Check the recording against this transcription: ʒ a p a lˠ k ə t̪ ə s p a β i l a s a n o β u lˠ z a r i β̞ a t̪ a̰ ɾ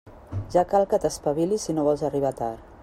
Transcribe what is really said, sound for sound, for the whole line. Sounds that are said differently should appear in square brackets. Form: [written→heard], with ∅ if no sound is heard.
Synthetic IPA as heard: ʒ a [p→k] a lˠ k ə t̪ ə s p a β i l [a→i] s [a→i] n o β [u→ɔ] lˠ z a r i β̞ a t̪ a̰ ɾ